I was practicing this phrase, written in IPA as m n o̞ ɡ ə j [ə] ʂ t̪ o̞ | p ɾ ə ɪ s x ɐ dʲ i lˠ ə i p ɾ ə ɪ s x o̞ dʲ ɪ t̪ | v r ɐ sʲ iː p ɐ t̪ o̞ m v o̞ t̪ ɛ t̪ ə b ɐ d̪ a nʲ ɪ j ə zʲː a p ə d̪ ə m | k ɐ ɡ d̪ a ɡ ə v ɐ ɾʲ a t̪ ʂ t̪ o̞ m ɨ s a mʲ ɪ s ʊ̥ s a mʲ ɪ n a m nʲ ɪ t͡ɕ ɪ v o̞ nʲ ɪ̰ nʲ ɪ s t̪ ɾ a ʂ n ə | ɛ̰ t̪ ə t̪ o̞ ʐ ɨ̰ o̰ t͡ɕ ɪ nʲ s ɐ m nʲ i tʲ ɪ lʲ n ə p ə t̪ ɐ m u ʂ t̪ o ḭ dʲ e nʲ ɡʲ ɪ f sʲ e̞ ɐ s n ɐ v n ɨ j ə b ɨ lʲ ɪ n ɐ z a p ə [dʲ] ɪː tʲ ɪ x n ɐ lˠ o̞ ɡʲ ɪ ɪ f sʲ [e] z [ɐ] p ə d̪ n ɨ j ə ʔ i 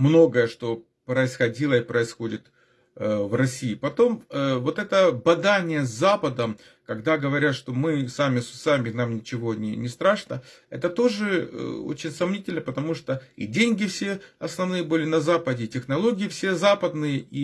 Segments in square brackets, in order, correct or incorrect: correct, correct, correct, incorrect: a

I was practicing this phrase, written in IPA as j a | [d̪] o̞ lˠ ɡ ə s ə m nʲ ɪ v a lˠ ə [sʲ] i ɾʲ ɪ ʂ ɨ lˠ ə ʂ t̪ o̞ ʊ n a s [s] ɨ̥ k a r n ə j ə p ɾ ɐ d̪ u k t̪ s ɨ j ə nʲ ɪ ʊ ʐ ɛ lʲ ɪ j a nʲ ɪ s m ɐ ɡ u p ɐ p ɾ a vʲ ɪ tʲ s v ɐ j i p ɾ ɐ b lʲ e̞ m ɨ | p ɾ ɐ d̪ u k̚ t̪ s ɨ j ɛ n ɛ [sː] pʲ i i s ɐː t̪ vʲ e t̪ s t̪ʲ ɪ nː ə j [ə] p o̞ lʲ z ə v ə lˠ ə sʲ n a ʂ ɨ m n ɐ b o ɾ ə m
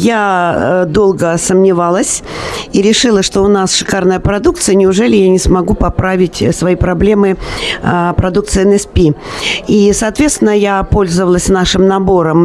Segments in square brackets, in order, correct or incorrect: correct, correct, incorrect: ʂ, incorrect: s, incorrect: a

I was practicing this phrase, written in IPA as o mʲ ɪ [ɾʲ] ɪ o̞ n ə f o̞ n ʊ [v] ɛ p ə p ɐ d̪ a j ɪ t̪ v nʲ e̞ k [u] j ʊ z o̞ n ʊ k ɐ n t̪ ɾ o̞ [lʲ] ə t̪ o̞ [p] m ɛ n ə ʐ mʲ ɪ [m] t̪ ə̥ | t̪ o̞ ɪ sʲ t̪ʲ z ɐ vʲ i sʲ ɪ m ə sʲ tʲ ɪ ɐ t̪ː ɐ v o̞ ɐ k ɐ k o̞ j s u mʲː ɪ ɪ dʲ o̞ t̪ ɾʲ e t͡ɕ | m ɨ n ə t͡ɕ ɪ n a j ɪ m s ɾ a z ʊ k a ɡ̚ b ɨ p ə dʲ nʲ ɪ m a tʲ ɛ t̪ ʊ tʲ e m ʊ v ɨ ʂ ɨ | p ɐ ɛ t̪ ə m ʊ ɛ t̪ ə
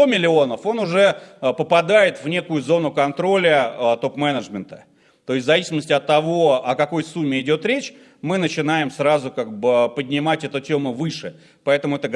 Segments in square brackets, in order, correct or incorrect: incorrect: lʲ, incorrect: ʐ, incorrect: ʊ, correct, correct, incorrect: n

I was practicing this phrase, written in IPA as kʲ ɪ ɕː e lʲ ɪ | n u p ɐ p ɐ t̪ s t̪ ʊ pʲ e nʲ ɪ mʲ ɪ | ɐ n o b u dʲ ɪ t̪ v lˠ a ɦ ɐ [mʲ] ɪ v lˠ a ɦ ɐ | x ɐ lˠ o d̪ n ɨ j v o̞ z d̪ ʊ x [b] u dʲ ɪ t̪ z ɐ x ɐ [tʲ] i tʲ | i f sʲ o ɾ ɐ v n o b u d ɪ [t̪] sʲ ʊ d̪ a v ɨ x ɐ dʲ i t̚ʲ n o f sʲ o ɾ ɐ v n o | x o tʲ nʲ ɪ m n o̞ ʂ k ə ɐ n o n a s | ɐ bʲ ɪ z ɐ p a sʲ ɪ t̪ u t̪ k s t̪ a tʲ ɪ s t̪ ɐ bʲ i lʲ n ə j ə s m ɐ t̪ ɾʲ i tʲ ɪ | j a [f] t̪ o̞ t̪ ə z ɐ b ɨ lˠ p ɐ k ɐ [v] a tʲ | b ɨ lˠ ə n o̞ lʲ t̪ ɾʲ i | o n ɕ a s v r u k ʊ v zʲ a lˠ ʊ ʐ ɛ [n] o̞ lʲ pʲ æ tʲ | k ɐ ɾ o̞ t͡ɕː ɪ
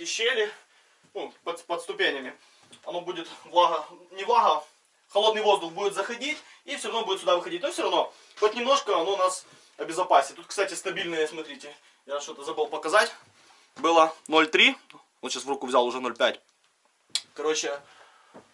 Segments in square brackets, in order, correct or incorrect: incorrect: nʲ, correct, incorrect: dʲ, correct, incorrect: ʂ, incorrect: z, correct

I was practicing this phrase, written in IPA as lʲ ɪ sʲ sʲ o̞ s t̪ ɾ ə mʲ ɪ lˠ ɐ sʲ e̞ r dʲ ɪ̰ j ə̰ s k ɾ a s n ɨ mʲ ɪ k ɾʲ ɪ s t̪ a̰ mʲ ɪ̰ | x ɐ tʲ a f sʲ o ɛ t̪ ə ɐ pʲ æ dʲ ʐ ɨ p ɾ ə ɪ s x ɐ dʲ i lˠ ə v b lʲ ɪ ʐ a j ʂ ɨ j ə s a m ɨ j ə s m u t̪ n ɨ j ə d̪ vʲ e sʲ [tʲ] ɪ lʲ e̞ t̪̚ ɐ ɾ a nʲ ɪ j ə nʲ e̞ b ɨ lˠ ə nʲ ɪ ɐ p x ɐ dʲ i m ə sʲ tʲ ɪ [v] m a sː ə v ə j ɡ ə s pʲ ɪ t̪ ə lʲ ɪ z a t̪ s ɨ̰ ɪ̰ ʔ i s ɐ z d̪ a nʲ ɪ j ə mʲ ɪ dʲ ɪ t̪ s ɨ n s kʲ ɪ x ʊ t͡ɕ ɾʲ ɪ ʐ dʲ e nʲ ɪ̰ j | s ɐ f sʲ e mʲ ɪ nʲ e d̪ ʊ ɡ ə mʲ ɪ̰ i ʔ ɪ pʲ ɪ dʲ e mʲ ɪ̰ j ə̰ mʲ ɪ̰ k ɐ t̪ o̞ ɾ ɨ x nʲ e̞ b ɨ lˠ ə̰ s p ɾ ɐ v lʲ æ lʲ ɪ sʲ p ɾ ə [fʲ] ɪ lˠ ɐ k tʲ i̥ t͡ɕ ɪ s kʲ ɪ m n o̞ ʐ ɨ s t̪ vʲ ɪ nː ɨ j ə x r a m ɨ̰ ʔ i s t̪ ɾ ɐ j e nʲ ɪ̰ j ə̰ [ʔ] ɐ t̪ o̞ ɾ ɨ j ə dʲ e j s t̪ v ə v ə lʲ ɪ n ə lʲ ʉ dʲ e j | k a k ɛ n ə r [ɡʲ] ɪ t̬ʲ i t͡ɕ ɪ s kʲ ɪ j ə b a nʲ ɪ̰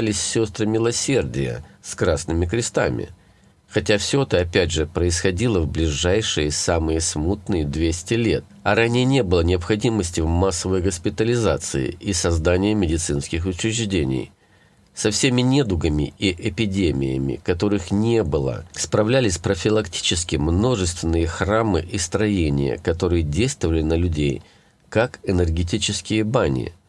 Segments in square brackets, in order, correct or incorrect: correct, correct, correct, incorrect: k, correct

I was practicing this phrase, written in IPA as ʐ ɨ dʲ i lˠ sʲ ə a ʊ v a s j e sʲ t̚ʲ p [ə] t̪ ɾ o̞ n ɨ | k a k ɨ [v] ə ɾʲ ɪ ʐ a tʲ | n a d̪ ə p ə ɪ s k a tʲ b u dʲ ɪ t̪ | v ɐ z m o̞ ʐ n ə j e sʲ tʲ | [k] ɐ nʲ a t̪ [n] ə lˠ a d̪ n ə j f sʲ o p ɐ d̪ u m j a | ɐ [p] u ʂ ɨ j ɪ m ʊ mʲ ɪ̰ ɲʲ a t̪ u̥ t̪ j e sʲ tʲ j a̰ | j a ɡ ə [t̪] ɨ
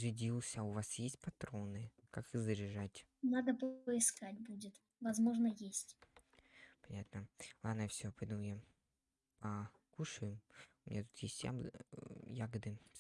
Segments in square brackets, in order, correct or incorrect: incorrect: ɐ, incorrect: z, incorrect: p, correct, incorrect: k, incorrect: d̪

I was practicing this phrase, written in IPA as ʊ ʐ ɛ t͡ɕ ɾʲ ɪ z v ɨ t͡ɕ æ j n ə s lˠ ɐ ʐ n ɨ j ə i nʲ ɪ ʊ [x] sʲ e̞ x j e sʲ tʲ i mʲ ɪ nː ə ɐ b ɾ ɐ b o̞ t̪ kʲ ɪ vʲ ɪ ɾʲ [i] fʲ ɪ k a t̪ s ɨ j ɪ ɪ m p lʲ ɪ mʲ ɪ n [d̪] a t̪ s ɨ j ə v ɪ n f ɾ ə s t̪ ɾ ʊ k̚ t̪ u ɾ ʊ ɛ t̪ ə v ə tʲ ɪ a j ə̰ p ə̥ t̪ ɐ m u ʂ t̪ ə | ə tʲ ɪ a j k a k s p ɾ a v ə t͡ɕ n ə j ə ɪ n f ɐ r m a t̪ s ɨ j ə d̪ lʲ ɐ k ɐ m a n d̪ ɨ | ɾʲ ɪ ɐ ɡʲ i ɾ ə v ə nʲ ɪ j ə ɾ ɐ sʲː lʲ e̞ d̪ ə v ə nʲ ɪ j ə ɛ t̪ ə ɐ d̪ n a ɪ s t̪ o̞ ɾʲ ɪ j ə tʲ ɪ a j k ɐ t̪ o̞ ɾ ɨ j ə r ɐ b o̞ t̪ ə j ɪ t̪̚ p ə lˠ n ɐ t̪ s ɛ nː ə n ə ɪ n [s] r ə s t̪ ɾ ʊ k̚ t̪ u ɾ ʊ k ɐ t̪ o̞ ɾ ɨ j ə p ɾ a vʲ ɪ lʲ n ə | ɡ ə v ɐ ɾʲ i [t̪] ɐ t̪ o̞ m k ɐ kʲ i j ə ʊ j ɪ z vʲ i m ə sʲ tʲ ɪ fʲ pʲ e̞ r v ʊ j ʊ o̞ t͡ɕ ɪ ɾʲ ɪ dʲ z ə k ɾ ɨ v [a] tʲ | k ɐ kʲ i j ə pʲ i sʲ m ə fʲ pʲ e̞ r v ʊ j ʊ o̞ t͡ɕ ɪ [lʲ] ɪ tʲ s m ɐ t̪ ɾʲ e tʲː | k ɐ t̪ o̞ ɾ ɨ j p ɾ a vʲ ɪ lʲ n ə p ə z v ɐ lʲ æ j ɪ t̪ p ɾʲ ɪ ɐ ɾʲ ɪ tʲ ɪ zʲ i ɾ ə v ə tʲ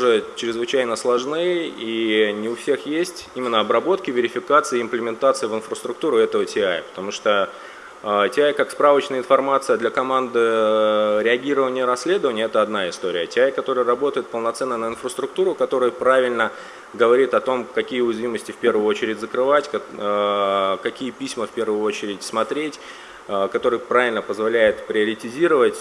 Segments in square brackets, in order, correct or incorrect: incorrect: f, incorrect: ɪ, incorrect: t̪, incorrect: f, correct, correct, incorrect: ɾʲ

